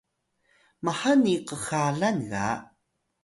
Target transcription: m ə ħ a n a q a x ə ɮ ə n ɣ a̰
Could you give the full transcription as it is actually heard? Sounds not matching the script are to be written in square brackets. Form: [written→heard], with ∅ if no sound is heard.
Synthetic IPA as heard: m [ə→a] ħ a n [a→i] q [a→ə] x [ə→a] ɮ [ə→a] n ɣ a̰